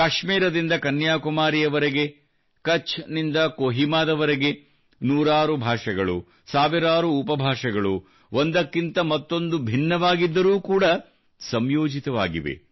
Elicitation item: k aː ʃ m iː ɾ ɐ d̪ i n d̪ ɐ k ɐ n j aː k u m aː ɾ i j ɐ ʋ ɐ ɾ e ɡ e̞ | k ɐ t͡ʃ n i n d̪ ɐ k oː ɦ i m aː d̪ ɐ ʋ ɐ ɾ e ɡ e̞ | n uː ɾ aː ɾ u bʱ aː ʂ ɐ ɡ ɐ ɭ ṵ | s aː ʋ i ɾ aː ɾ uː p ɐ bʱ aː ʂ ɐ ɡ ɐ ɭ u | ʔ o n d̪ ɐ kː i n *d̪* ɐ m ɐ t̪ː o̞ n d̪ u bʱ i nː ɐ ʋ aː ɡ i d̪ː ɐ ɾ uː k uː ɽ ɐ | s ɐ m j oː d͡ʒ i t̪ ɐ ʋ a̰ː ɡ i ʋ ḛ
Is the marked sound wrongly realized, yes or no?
yes